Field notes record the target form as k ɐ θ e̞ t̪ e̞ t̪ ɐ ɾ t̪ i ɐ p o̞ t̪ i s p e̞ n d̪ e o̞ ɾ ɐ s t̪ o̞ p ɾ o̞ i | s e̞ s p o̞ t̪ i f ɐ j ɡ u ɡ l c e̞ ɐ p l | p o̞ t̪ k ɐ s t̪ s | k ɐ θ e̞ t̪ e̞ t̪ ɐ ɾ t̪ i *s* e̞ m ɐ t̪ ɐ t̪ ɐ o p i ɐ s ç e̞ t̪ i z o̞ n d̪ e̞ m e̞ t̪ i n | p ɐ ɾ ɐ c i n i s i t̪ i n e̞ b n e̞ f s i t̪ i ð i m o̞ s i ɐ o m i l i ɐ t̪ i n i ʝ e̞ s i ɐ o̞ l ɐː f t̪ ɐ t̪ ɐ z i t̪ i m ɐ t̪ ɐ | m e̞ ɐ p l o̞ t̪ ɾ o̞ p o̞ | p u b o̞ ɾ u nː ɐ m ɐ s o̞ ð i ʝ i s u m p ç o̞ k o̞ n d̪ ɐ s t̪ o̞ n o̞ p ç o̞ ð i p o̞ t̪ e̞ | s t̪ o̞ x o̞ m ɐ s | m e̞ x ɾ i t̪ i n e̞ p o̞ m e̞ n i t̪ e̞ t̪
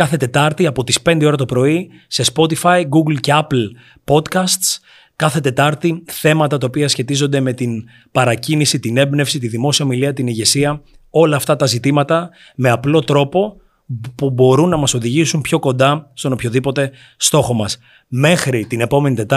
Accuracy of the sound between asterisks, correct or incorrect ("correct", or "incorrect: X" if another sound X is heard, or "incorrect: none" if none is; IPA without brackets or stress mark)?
incorrect: θ